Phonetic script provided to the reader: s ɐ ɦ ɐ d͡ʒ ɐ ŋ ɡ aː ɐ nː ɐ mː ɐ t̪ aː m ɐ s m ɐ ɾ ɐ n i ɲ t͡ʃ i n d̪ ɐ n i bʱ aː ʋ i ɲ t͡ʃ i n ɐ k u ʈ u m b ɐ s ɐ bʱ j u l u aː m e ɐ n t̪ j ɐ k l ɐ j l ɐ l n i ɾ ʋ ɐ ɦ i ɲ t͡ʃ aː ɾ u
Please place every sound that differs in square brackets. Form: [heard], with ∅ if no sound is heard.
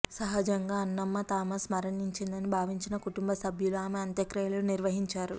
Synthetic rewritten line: s ɐ ɦ ɐ d͡ʒ ɐ ŋ ɡ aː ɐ nː ɐ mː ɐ t̪ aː m ɐ s m ɐ ɾ ɐ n i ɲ t͡ʃ i n d̪ ɐ n i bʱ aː ʋ i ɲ t͡ʃ i n ɐ k u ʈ u m b ɐ s ɐ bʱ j u l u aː m e ɐ n t̪ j ɐ k [ɾ] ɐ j l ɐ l n i ɾ ʋ ɐ ɦ i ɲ t͡ʃ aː ɾ u

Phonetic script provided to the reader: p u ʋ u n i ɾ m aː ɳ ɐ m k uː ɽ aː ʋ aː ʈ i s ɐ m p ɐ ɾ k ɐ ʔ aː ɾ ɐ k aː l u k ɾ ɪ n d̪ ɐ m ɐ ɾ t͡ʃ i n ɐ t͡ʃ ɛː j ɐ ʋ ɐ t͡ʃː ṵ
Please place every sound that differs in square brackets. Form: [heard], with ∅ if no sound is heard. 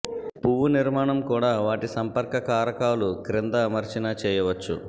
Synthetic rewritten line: p u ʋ u n i ɾ m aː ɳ ɐ m k uː ɽ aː ʋ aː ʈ i s ɐ m p ɐ ɾ k ɐ [k] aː ɾ ɐ k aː l u k ɾ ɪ n d̪ ɐ m ɐ ɾ t͡ʃ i n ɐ t͡ʃ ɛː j ɐ ʋ ɐ t͡ʃː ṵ

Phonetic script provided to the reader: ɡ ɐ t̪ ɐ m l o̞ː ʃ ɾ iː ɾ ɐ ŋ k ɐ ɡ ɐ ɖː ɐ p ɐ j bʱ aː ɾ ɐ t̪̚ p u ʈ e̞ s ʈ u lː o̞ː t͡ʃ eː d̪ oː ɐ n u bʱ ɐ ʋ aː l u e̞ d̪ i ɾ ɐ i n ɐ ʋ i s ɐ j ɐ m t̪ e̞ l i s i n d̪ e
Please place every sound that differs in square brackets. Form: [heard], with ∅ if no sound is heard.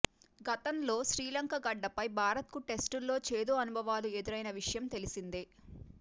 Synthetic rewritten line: ɡ ɐ t̪ ɐ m l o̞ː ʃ ɾ iː [l] ɐ ŋ k ɐ ɡ ɐ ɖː ɐ p ɐ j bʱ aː ɾ ɐ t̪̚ [k] u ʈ e̞ s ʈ u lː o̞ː t͡ʃ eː d̪ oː ɐ n u bʱ ɐ ʋ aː l u e̞ d̪ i ɾ ɐ [j] n ɐ ʋ i [ʂ] ɐ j ɐ m t̪ e̞ l i s i n d̪ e

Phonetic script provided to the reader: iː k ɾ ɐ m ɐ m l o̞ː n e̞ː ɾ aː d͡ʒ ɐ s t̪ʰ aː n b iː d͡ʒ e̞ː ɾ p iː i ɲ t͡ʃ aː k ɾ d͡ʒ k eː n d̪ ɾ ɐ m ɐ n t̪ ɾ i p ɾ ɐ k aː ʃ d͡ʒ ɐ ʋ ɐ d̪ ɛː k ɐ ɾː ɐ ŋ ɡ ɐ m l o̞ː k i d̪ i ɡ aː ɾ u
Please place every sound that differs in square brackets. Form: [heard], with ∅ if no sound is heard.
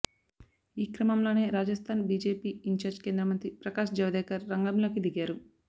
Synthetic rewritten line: iː k ɾ ɐ m ɐ m l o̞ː n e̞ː ɾ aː d͡ʒ ɐ s t̪ʰ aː n b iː d͡ʒ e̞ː [∅] p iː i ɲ t͡ʃ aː [∅] ɾ d͡ʒ k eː n d̪ ɾ ɐ m ɐ n t̪ ɾ i p ɾ ɐ k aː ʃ d͡ʒ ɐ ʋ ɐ d̪ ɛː k ɐ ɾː ɐ ŋ ɡ ɐ m l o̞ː k i d̪ i ɡ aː ɾ u

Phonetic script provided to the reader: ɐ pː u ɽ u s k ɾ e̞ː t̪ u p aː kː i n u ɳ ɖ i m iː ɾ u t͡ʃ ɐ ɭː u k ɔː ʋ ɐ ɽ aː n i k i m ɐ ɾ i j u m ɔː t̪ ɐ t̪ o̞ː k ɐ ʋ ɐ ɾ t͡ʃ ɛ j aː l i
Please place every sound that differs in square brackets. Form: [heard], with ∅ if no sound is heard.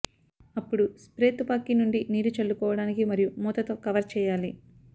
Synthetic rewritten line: ɐ pː u ɽ u s [p] ɾ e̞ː t̪ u p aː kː i n u ɳ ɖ i [n] iː ɾ u t͡ʃ ɐ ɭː u k ɔː ʋ ɐ ɽ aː n i k i m ɐ ɾ i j u m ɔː t̪ ɐ t̪ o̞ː k ɐ ʋ ɐ ɾ t͡ʃ [ɛː] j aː l i

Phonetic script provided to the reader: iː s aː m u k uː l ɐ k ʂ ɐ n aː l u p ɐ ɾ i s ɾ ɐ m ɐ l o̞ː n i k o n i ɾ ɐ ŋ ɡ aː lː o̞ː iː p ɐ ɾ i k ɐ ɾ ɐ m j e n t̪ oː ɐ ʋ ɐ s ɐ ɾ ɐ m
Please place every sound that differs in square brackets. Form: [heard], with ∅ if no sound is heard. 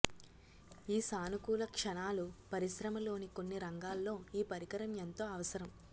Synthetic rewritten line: iː s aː [n] u k uː l ɐ k ʂ ɐ n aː l u p ɐ ɾ i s ɾ ɐ m ɐ l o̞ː n i k o [nː] i ɾ ɐ ŋ ɡ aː lː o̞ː iː p ɐ ɾ i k ɐ ɾ ɐ m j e n t̪ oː ɐ ʋ ɐ s ɐ ɾ ɐ m

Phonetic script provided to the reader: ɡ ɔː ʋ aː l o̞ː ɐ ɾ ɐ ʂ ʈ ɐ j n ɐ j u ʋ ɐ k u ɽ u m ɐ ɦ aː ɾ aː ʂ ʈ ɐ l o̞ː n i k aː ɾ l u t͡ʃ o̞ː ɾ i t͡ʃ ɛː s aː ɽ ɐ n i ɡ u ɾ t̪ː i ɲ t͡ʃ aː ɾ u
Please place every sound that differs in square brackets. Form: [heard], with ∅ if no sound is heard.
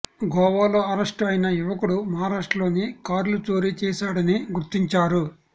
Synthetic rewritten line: ɡ ɔː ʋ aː l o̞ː ɐ ɾ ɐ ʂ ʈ ɐ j n ɐ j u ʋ ɐ k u ɽ u m ɐ ɦ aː ɾ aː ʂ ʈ ɐ l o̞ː n i k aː ɾ l u t͡ʃ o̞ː ɾ i t͡ʃ ɛː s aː ɽ ɐ n i ɡ u ɾ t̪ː i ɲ t͡ʃ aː ɾ u

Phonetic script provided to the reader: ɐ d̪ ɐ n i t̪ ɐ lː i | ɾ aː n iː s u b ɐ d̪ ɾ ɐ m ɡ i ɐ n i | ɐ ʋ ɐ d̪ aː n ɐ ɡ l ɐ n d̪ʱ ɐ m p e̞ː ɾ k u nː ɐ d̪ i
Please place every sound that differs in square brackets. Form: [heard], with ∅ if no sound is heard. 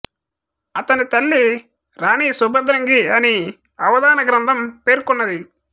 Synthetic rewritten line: ɐ [t̪] ɐ n i t̪ ɐ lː i | ɾ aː n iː s u b ɐ d̪ ɾ ɐ [ŋ] ɡ i ɐ n i | ɐ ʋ ɐ d̪ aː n ɐ ɡ [ɾ] ɐ n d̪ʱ ɐ m p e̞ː ɾ k u nː ɐ d̪ i

